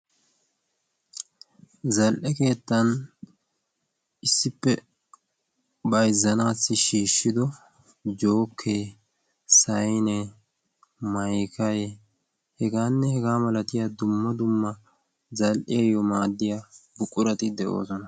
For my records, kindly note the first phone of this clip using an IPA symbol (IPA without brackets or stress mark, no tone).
z